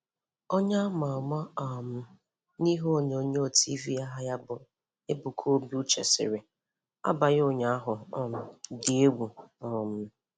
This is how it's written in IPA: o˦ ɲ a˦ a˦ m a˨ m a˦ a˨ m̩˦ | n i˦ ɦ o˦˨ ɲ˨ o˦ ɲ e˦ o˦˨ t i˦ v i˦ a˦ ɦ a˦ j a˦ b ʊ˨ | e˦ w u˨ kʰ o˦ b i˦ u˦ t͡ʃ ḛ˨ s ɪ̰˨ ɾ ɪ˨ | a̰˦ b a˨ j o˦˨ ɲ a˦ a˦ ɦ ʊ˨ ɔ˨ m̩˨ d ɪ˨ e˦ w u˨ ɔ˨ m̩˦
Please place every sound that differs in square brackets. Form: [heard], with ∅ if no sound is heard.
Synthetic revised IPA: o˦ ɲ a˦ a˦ m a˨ m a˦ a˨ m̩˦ | n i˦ ɦ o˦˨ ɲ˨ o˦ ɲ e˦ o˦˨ t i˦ v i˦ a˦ ɦ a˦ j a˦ b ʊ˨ | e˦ [b] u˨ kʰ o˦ b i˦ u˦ t͡ʃ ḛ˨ s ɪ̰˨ ɾ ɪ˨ | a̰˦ b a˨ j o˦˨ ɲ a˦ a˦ ɦ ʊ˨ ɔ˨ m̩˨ d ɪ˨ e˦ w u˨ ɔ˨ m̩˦